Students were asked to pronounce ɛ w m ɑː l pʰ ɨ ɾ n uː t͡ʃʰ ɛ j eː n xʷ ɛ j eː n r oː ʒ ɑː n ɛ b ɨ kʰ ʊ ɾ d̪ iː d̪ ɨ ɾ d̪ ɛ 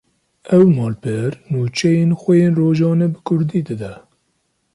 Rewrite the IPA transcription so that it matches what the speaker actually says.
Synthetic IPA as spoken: ɛ w m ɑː l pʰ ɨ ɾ n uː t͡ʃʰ ɛ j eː n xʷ ɛ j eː n r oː ʒ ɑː n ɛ b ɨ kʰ ʊ ɾ d̪ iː d̪ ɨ d̪ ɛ